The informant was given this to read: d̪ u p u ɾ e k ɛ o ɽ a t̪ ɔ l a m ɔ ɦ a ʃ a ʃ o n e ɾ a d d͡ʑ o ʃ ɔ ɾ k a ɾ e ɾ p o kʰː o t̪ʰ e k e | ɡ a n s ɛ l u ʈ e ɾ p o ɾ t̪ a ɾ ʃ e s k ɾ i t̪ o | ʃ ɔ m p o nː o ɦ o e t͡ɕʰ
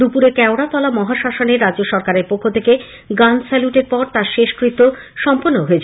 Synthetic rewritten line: d̪ u p u ɾ e k ɛ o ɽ a t̪ ɔ l a m ɔ ɦ a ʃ a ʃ o n e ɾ a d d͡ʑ o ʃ ɔ ɾ k a ɾ e ɾ p o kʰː o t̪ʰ e k e | ɡ a n s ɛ l u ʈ e ɾ p ɔ ɾ t̪ a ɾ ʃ e ʃ k ɾ i t̪ o | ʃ ɔ m p o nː o ɦ o e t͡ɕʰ